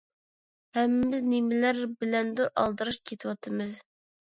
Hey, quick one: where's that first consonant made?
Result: throat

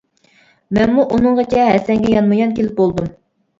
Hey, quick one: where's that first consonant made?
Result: lips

